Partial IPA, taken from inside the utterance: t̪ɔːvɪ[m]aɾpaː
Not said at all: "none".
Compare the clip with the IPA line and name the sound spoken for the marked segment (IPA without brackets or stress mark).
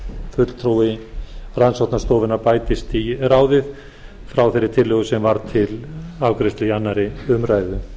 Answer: n